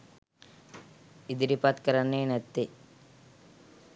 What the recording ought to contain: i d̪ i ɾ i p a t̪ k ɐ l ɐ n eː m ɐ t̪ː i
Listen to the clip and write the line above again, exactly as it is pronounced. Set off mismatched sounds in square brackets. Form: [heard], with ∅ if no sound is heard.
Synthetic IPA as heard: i d̪ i ɾ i p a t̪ k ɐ [ɾ] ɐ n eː [n] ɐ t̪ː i